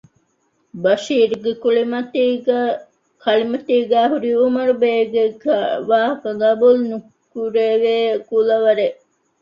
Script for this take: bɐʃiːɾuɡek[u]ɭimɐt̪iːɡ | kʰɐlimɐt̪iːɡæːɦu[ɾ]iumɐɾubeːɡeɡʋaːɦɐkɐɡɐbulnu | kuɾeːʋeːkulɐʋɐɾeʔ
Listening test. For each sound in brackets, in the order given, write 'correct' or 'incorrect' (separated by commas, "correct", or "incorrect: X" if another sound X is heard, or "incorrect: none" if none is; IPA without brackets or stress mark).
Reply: correct, correct